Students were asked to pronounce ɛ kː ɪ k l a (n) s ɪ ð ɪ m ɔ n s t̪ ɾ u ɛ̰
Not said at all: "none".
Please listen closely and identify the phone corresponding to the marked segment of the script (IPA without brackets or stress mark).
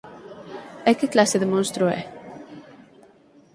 none